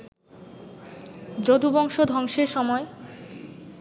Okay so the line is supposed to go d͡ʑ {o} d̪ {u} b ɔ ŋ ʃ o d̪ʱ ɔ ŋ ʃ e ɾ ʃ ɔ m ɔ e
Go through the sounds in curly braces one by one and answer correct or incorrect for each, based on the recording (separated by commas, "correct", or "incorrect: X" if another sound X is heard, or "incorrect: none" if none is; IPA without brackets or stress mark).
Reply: correct, correct